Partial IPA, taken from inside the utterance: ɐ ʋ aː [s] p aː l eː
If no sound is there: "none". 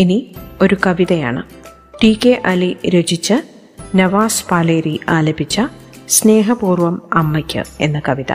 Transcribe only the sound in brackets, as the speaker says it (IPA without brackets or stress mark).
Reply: s